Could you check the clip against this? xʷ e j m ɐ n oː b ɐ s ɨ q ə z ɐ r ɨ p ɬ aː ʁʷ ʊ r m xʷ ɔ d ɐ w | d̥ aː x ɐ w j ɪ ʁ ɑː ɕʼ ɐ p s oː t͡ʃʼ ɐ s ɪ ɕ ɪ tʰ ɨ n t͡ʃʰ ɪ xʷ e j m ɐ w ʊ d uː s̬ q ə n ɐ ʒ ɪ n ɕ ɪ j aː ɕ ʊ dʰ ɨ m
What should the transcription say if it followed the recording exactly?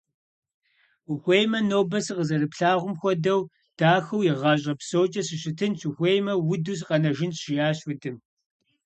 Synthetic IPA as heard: xʷ e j m ɐ n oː b ɐ s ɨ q ə z ɐ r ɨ p ɬ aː ʁʷ ʊ m xʷ ɔ d ɐ w | d̥ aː x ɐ w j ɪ ʁ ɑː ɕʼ ɐ p s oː t͡ʃʼ ɐ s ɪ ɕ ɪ tʰ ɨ n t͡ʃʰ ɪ xʷ e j m ɐ w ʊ d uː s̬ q ɐ n ɐ ʒ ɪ n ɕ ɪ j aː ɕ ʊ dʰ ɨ m